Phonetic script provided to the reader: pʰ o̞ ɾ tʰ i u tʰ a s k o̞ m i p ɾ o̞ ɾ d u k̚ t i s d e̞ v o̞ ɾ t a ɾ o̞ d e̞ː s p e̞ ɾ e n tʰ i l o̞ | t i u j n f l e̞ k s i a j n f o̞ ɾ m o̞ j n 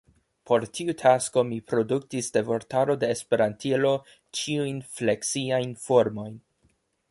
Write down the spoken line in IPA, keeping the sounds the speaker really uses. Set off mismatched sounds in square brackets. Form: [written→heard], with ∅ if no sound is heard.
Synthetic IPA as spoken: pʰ o̞ ɾ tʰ i u tʰ a s k o̞ m i p ɾ o̞ [ɾ→∅] d u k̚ t i s d e̞ v o̞ ɾ t a ɾ o̞ d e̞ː s p e̞ ɾ [e→a] n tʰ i l o̞ | [t→t͡ʃ] i u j n f l e̞ k s i a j n f o̞ ɾ m o̞ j n

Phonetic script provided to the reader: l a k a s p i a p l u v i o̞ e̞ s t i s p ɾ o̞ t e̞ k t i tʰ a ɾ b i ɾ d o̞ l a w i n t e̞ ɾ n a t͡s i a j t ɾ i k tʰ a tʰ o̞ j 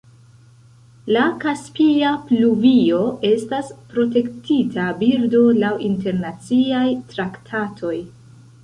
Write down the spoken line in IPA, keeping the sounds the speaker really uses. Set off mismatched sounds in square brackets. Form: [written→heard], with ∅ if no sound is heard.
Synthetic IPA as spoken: l a k a s p i a p l u v i o̞ e̞ s t [i→a] s p ɾ o̞ t e̞ k t i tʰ a [ɾ→∅] b i ɾ d o̞ l a w i n t e̞ ɾ n a t͡s i a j t ɾ [i→a] k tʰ a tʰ o̞ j

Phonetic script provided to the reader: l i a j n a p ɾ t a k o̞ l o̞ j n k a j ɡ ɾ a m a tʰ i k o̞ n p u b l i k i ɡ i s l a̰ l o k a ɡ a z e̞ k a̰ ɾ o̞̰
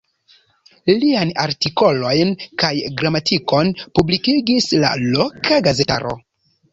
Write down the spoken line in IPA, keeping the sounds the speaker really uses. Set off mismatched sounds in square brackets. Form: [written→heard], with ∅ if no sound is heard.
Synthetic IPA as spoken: l i a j n a [p→∅] ɾ t [a→i] k o̞ l o̞ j n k a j ɡ ɾ a m a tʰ i k o̞ n p u b l i k i ɡ i s l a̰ l o k a ɡ a z e̞ [k→t] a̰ ɾ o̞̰

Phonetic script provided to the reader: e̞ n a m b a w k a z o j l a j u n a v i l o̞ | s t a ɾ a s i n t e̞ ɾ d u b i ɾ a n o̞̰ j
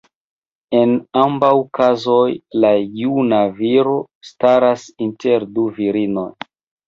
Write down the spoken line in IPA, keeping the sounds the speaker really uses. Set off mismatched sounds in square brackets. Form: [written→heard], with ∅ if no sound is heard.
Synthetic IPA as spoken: e̞ n a m b a w k a z o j l a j u n a v i [l→ɾ] o̞ | s t a ɾ a s i n t e̞ ɾ d u [b→v] i ɾ [a→i] n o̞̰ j

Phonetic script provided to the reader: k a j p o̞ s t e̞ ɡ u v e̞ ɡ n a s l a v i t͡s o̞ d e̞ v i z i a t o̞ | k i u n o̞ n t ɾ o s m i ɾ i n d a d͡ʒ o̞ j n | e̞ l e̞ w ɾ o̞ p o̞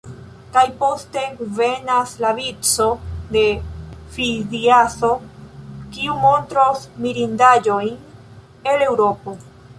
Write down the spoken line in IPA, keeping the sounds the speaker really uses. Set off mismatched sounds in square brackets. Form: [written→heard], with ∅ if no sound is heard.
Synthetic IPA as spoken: k a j p o̞ s t e̞ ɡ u v e̞ [ɡ→∅] n a s l a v i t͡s o̞ d e̞ [v→f] i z i a [t→s] o̞ | k i u [n→m] o̞ n t ɾ o s m i ɾ i n d a d͡ʒ o̞ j n | e̞ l e̞ w ɾ o̞ p o̞

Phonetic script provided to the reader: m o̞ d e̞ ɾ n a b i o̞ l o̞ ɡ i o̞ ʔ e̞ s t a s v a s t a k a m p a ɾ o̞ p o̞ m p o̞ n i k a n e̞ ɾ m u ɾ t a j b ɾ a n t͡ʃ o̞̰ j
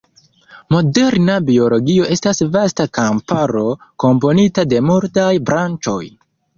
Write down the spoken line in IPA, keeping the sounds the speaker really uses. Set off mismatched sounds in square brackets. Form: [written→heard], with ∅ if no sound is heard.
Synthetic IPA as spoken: m o̞ d e̞ ɾ n a b i o̞ l o̞ ɡ i o̞ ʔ e̞ s t a s v a s t a k a m p a ɾ o̞ [p→k] o̞ m p o̞ n i [k→t] a [n→d] e̞ [ɾ→∅] m u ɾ t a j b ɾ a n t͡ʃ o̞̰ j

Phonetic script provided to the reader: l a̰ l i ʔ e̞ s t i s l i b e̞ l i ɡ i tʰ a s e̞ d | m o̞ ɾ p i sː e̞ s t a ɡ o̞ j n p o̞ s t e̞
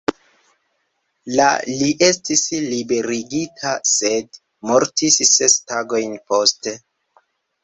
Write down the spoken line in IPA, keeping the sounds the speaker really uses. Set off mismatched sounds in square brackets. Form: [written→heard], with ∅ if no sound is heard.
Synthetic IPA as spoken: l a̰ l i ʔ e̞ s t i s l i b e̞ [l→ɾ] i ɡ i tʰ a s e̞ d | m o̞ ɾ [p→t] i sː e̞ s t a ɡ o̞ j n p o̞ s t e̞

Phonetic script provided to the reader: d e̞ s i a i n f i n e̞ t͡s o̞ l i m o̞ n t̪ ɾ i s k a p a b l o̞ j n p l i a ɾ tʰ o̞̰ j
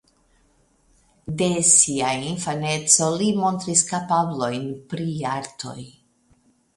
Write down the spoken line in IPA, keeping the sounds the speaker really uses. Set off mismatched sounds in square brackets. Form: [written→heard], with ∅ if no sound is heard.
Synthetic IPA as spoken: d e̞ s i a i n f [i→a] n e̞ t͡s o̞ l i m o̞ n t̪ ɾ i s k a p a b l o̞ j n p [l→ɾ] i a ɾ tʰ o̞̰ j

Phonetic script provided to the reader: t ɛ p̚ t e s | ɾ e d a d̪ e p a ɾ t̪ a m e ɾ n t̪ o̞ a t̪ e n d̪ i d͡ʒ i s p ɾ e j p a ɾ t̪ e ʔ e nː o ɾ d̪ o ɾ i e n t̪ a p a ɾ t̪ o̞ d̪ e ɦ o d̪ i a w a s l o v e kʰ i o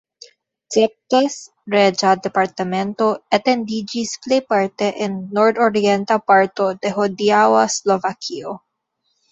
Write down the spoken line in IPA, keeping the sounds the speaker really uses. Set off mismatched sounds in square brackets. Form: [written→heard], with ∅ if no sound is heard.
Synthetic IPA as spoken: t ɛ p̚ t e s | ɾ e [d→d͡ʒ] a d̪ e p a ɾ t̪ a m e [ɾ→∅] n t̪ o̞ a t̪ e n d̪ i d͡ʒ i s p [ɾ→l] e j p a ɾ t̪ e ʔ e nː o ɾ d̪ o ɾ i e n t̪ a p a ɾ t̪ o̞ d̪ e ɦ o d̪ i a w a s l o v [e→a] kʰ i o

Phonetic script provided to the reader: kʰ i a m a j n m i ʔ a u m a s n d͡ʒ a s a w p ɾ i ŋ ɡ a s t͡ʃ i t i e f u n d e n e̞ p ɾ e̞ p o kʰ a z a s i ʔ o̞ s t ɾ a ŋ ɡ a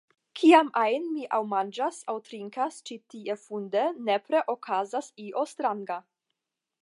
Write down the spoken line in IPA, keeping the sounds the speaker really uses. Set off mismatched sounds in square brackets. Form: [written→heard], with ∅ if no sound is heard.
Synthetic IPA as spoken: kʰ i a m a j n m i ʔ a [u→w] m a [s→∅] n d͡ʒ a s a w [p→t] ɾ i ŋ [ɡ→k] a s t͡ʃ i t i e f u n d e n e̞ p ɾ e̞ [p→ʔ] o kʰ a z a s i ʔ o̞ s t ɾ a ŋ ɡ a

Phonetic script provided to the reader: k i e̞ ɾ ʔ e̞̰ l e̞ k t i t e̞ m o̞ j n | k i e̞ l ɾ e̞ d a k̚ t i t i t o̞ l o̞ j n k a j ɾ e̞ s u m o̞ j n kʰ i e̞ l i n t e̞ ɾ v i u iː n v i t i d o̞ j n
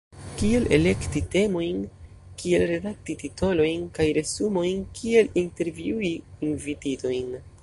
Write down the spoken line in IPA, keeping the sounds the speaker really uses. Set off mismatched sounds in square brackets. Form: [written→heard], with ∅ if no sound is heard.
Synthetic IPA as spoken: k i e̞ [ɾ→l] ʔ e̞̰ l e̞ k t i t e̞ m o̞ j n | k i e̞ l ɾ e̞ d a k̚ t i t i t o̞ l o̞ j n k a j ɾ e̞ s u m o̞ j n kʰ i e̞ l i n t e̞ ɾ v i u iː n v i t i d o̞ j n

